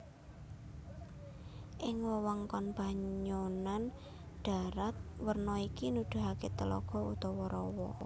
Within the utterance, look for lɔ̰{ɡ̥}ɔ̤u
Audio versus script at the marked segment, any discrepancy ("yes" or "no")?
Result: no